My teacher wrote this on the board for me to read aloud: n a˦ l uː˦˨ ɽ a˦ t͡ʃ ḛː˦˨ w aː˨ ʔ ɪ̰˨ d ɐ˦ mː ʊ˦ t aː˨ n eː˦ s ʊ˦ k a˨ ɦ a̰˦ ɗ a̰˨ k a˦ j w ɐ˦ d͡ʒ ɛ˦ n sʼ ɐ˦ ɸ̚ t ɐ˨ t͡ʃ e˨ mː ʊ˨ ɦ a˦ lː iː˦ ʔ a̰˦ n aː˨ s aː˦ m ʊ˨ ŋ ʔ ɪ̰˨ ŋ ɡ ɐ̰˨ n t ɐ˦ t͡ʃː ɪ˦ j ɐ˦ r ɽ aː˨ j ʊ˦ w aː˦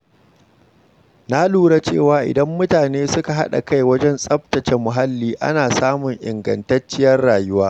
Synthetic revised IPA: n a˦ l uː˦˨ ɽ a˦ t͡ʃ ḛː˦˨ w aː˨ ʔ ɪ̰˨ d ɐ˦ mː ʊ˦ t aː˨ n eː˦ s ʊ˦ k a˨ ɦ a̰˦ ɗ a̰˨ k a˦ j w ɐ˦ d͡ʒ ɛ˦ n sʼ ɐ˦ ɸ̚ t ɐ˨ t͡ʃ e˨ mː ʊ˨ ɦ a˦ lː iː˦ ʔ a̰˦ n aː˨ s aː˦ m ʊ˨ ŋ ʔ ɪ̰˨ ŋ ɡ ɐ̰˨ n t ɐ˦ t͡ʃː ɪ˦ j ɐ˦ r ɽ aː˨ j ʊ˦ w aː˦